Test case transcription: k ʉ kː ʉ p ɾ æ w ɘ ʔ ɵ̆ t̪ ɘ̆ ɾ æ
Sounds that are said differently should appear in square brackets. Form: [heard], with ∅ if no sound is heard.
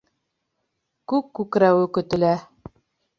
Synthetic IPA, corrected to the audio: k ʉ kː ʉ [k] ɾ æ w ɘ [k] ɵ̆ t̪ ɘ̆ [l] æ